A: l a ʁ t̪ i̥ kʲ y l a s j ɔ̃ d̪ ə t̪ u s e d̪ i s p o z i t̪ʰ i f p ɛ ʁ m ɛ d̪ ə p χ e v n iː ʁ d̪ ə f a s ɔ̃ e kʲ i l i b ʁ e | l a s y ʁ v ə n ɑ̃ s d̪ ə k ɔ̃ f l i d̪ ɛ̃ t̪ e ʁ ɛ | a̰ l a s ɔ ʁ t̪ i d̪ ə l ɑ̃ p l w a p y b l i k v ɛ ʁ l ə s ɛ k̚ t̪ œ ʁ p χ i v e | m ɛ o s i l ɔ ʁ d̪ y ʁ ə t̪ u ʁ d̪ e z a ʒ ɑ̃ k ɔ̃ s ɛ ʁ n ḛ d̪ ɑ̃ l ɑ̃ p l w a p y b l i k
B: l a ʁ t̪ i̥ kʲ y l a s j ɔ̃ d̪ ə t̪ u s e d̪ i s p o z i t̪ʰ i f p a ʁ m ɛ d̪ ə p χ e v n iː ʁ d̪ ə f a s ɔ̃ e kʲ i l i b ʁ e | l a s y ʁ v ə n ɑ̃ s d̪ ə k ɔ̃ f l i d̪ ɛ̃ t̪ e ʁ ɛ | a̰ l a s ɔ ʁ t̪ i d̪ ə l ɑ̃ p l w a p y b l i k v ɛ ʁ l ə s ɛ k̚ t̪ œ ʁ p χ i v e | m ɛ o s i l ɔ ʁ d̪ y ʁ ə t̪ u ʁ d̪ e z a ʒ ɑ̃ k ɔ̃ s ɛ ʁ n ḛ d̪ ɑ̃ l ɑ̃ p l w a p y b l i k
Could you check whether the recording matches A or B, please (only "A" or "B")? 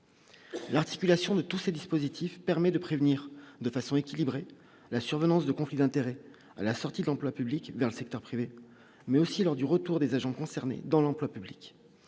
A